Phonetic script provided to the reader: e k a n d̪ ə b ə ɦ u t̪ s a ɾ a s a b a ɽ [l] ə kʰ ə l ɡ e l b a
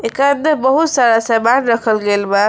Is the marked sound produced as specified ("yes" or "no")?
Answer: no